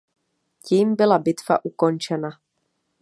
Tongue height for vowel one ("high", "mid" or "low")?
high